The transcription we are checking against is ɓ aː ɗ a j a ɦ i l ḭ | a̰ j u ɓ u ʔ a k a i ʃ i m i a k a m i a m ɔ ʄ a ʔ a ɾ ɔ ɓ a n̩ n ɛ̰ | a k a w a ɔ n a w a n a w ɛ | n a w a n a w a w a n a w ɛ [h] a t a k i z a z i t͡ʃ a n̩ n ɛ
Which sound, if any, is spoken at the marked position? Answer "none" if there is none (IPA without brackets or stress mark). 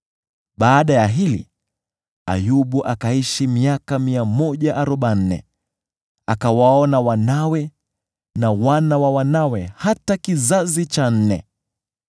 h